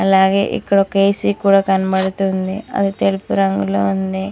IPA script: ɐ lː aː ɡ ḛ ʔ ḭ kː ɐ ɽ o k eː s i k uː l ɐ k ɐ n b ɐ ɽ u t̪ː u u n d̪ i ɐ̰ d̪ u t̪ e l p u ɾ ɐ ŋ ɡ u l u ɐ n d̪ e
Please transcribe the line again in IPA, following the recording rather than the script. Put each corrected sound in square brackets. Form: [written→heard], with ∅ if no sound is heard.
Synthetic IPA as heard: ɐ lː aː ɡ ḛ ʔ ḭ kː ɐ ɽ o k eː s i k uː [l→ɽ] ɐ k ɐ n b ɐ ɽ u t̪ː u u n d̪ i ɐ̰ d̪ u t̪ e l p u ɾ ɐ ŋ ɡ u l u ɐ n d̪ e